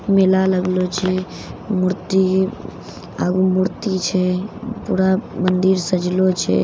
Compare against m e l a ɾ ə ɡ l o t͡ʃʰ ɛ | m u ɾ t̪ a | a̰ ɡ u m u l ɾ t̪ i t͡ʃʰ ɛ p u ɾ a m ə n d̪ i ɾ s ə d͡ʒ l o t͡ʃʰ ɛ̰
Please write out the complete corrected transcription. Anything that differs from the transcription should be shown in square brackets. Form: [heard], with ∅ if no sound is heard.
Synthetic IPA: m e l a [l] ə ɡ l o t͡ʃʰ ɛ | m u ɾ t̪ [i] | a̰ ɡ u m u [∅] ɾ t̪ i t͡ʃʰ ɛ p u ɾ a m ə n d̪ i ɾ s ə d͡ʒ l o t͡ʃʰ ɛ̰